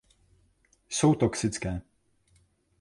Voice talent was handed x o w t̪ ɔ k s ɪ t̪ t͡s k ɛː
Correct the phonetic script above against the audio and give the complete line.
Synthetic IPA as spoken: s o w t̪ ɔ k s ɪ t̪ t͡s k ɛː